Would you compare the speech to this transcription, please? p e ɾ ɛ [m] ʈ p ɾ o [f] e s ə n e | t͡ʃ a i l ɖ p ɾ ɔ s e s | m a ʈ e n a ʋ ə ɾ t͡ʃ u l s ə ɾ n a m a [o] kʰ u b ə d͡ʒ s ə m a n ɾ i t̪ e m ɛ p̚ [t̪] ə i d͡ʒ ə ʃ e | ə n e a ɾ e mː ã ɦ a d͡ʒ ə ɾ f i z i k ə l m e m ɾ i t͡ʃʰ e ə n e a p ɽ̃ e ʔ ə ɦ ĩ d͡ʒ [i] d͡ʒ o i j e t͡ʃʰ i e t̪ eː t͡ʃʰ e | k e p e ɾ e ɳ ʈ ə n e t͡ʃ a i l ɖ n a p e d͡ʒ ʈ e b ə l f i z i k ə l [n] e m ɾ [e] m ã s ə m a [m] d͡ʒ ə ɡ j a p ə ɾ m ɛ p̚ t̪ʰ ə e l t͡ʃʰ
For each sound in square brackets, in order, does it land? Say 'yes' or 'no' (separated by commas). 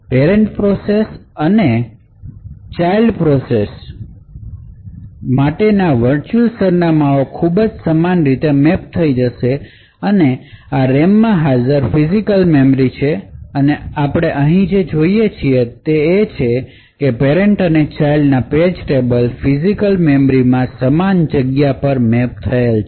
no, no, yes, no, no, no, no, no